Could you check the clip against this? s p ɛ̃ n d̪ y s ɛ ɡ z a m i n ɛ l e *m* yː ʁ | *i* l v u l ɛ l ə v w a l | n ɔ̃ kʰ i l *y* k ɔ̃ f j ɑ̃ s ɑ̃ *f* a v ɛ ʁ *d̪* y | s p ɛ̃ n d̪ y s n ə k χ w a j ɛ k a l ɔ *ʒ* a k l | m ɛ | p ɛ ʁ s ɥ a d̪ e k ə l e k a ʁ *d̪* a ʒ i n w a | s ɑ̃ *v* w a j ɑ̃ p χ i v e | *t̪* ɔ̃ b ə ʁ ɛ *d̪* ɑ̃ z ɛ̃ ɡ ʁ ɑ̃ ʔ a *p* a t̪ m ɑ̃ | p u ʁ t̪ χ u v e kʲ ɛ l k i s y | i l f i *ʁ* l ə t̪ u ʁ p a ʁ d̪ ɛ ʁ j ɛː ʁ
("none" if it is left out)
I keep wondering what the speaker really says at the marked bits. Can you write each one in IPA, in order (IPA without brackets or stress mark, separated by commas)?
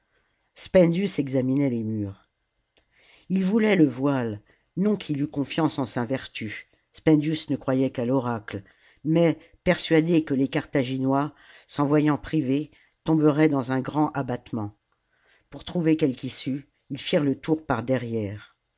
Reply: m, i, y, s, t̪, ʁ, t̪, v, t̪, d̪, b, ʁ